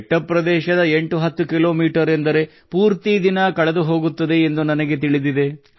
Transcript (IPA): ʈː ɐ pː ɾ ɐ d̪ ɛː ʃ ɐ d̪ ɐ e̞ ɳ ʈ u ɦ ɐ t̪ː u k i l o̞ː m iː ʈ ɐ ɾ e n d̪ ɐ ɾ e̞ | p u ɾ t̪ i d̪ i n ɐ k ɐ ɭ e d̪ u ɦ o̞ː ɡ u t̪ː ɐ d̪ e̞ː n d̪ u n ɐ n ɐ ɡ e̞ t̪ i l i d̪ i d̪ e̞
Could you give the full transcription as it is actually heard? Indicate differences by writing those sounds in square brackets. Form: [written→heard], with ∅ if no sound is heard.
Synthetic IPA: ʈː ɐ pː ɾ ɐ d̪ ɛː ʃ ɐ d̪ ɐ e̞ ɳ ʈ u ɦ ɐ t̪ː u k i l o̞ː m iː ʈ ɐ ɾ e n d̪ ɐ ɾ e̞ | p [u→uː] ɾ t̪ i d̪ i n ɐ k ɐ ɭ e d̪ u ɦ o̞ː ɡ u t̪ː ɐ d̪ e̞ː n d̪ u n ɐ n ɐ ɡ e̞ t̪ i [l→ɭ] i d̪ i d̪ e̞